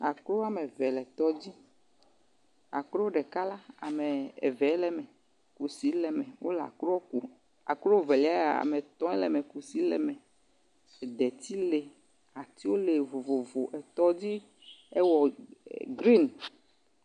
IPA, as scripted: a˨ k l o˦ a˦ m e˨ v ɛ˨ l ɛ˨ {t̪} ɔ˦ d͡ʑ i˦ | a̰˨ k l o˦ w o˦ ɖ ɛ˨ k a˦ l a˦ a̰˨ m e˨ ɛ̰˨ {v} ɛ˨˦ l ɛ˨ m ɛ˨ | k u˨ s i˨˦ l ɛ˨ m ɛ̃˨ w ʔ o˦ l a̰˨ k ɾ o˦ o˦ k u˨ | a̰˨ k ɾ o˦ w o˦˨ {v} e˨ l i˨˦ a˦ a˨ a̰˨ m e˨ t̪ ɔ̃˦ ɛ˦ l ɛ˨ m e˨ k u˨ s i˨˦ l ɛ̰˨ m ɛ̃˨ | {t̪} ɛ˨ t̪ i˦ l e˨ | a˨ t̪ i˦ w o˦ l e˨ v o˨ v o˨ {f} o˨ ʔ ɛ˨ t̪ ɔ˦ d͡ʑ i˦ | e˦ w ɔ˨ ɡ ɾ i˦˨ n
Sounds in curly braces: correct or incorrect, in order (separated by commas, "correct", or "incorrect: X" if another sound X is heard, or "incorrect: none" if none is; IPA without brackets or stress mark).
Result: correct, correct, correct, incorrect: d̪, incorrect: v